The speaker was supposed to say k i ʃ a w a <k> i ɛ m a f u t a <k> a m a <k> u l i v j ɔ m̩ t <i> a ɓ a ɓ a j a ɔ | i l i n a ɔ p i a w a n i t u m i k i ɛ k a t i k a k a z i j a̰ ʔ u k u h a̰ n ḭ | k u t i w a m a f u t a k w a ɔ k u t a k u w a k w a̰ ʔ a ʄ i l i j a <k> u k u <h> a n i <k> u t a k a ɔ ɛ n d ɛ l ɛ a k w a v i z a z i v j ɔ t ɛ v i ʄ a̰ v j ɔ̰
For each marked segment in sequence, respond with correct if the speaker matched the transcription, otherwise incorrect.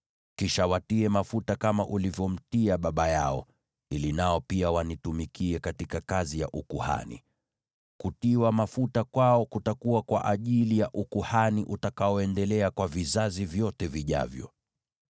incorrect: t, correct, incorrect: ʔ, correct, incorrect: ʔ, correct, incorrect: ʔ

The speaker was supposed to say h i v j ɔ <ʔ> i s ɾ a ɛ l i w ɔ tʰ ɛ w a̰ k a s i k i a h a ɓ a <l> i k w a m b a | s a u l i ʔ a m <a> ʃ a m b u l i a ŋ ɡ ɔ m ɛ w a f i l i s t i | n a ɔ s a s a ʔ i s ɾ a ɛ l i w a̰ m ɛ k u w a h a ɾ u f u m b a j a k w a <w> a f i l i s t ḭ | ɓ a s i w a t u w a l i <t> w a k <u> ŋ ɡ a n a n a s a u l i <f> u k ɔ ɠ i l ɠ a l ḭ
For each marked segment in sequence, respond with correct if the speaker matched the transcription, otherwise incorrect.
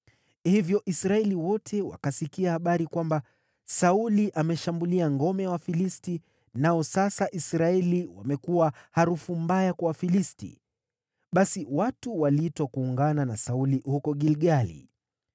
correct, incorrect: ɾ, incorrect: ɛ, correct, correct, incorrect: uː, incorrect: h

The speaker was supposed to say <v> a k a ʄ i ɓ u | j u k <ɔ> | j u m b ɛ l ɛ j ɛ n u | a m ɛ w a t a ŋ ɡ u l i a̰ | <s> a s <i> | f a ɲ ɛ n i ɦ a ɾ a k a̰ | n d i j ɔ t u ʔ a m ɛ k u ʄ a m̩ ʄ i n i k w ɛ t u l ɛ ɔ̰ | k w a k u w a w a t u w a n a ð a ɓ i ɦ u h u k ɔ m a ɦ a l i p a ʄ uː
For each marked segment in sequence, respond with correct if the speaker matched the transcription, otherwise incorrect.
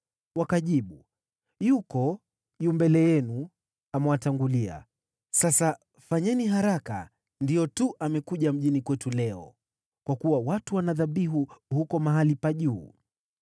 incorrect: w, correct, correct, incorrect: a

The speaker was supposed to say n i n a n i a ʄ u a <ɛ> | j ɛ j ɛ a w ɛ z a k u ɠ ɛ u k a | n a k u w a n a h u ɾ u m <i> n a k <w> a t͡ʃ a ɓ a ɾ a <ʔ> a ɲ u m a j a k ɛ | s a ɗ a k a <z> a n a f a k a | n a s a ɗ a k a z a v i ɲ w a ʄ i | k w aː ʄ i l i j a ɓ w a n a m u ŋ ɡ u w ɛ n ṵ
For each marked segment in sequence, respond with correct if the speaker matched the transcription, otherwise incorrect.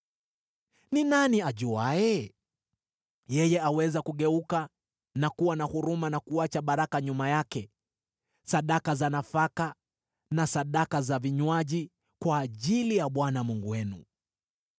correct, incorrect: a, incorrect: u, incorrect: k, correct

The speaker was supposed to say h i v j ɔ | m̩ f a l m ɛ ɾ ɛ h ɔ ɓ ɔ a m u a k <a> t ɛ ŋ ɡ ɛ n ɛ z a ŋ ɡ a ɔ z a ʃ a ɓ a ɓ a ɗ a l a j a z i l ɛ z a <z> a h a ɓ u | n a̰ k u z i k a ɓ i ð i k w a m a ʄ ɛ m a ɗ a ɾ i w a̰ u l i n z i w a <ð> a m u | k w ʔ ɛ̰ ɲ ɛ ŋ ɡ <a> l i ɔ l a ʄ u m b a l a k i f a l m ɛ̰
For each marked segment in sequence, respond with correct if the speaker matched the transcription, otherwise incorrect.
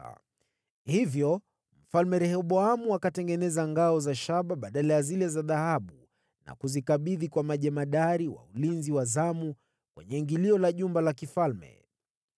correct, incorrect: ð, incorrect: z, incorrect: i

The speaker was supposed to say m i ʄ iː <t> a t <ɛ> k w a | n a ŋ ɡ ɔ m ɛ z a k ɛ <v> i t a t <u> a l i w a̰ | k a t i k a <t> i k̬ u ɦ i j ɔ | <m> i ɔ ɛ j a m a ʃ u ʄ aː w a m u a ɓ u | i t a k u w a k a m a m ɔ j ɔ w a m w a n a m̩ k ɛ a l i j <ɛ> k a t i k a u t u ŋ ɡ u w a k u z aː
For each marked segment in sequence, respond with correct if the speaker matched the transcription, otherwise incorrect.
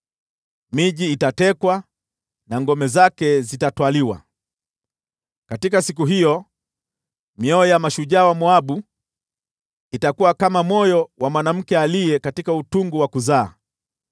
correct, correct, incorrect: z, incorrect: w, incorrect: s, correct, correct

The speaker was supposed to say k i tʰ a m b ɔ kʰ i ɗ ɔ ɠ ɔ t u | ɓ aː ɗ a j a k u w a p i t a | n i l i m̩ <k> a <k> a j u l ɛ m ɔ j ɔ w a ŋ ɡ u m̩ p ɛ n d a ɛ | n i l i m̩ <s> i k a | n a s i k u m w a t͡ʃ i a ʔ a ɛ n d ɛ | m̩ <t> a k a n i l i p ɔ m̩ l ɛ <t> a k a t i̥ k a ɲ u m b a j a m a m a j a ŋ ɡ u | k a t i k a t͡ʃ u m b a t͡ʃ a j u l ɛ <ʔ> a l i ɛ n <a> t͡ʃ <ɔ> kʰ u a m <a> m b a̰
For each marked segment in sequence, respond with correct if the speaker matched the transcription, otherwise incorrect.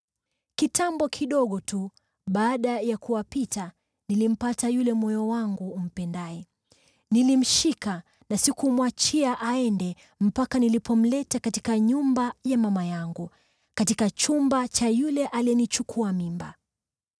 incorrect: p, incorrect: t, incorrect: ʃ, incorrect: p, correct, correct, incorrect: i, incorrect: u, incorrect: i

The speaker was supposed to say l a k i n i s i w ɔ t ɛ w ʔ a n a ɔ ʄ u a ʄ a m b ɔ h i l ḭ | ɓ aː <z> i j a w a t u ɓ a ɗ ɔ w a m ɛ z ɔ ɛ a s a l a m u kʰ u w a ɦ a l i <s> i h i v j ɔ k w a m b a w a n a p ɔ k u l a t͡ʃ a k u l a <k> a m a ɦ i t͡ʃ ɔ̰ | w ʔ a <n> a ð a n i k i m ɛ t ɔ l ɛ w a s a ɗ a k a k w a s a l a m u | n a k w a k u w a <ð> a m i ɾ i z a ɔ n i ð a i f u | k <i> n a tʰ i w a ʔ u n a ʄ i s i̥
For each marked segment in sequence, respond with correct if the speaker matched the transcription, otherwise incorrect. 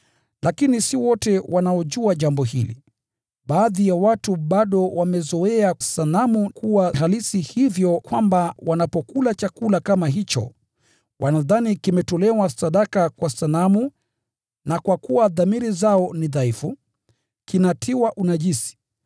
incorrect: ð, correct, correct, correct, correct, correct

